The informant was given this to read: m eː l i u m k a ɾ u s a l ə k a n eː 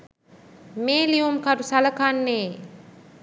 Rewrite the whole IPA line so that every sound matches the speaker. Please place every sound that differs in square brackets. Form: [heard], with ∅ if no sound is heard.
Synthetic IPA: m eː l i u m k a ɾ u s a l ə k a [nː] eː